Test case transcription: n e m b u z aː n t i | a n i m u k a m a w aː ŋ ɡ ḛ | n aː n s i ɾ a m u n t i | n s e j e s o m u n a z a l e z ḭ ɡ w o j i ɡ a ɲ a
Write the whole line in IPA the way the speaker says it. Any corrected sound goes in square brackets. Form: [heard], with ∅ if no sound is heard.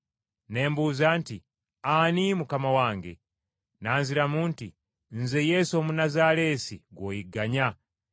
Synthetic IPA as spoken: n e m b u z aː n t i | a n i m u k a m a w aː ŋ ɡ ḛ | n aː n [z] i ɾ a m u n t i | n [z] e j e s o m u n a z a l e [s] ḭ ɡ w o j i ɡ a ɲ a